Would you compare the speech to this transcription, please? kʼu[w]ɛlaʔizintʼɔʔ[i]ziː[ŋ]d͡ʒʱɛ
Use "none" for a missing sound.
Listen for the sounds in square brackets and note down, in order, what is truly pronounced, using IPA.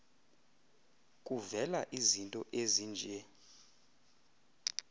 v, e, n

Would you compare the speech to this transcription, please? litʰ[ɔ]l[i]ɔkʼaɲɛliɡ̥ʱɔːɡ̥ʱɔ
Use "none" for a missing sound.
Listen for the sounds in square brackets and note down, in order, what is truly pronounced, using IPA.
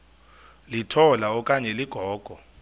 ɔ, a

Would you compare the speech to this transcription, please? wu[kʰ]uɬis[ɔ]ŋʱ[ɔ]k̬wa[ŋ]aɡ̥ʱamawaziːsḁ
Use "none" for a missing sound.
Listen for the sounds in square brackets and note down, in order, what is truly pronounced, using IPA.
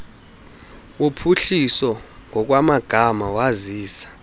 pʰ, ɔ, ɔ, m

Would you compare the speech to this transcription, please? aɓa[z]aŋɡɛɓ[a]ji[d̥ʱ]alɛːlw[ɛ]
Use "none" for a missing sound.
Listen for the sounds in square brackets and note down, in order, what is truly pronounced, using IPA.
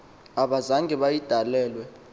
z, a, d̥ʱ, ɛ

